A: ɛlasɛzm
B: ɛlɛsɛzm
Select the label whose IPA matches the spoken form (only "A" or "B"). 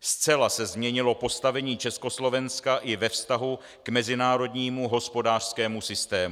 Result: A